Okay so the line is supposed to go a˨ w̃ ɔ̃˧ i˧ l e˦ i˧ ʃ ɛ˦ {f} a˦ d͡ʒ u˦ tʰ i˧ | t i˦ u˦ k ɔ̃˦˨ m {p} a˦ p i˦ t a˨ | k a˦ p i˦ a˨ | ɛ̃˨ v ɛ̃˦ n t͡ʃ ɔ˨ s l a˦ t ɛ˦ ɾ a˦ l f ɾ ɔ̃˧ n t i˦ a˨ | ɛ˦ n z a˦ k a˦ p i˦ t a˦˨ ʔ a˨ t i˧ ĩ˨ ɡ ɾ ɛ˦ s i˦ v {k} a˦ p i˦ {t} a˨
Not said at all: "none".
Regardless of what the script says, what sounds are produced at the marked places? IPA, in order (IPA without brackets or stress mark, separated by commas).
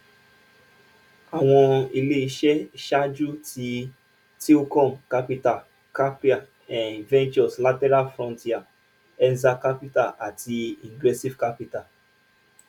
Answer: ʃ, k, k, t